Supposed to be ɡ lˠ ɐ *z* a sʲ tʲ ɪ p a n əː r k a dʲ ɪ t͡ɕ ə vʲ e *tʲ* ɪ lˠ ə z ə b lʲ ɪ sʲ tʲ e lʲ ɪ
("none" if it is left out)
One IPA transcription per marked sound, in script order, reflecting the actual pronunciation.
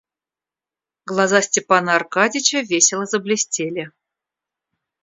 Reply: z, sʲ

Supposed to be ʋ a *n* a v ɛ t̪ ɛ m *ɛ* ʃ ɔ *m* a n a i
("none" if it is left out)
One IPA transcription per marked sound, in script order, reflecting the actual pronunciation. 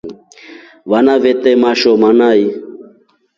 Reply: n, a, m

